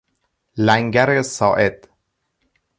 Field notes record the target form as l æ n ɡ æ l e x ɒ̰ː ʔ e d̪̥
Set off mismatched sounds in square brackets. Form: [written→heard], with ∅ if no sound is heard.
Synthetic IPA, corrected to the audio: l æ [n→ŋ] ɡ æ [l→ɾ] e [x→s] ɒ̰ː ʔ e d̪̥